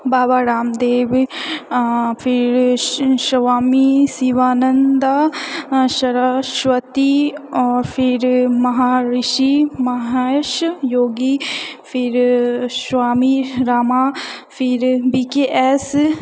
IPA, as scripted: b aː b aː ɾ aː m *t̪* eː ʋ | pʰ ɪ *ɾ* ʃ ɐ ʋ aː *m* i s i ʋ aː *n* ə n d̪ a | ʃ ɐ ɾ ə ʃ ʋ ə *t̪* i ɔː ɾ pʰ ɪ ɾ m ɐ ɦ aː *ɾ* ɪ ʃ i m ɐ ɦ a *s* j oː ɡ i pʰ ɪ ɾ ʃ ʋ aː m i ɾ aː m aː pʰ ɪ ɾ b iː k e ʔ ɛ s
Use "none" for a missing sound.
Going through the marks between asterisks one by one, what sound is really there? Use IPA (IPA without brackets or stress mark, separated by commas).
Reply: d̪, ɾ, m, n, t̪, ɾ, ʃ